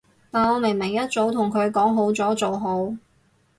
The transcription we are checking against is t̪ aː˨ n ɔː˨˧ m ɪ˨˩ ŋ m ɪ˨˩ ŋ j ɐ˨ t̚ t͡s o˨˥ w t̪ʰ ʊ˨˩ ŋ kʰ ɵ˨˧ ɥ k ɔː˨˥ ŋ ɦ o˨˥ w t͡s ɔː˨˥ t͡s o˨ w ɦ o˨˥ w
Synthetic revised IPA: t̪ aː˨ n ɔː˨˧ m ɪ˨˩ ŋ m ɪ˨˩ ŋ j ɐ˥ t̚ t͡s o˨˥ w t̪ʰ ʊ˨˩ ŋ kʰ ɵ˨˧ ɥ k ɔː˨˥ ŋ ɦ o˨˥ w t͡s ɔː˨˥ t͡s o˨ w ɦ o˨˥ w